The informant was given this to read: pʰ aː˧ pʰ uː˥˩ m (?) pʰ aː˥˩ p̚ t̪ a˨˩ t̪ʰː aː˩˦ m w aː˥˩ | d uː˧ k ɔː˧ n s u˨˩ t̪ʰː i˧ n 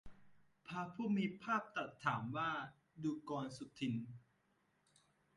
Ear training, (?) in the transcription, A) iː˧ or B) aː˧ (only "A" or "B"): A